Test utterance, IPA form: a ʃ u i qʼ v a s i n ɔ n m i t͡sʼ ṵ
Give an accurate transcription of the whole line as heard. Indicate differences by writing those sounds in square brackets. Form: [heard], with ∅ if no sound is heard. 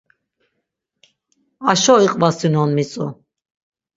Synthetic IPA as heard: a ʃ [ɔ] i qʼ v a s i n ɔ n m i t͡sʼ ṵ

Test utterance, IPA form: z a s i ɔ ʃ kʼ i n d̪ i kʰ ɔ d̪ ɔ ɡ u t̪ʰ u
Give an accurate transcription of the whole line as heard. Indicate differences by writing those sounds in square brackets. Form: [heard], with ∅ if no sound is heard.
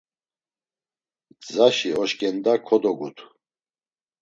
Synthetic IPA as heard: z a [ʃ] i ɔ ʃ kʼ [ɛ] n d̪ [a] kʰ ɔ d̪ ɔ ɡ u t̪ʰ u

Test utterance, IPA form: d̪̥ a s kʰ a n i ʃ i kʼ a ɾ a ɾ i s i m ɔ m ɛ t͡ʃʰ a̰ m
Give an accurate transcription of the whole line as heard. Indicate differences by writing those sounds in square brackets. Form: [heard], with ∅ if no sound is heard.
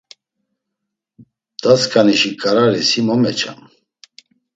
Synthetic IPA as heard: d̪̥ a s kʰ a n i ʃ i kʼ a ɾ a ɾ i s i m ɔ m ɛ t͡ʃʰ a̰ m

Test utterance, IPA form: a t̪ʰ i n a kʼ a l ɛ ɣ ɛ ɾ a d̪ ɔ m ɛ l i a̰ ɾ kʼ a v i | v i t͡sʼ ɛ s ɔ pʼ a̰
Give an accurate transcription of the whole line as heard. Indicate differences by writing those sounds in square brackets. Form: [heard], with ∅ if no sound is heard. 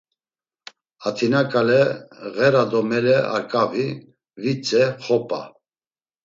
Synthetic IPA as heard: a t̪ʰ i n a kʼ a l ɛ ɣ ɛ ɾ a d̪ ɔ m ɛ l [ɛ] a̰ ɾ kʼ a v i | v i t͡sʼ ɛ [χ] ɔ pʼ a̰

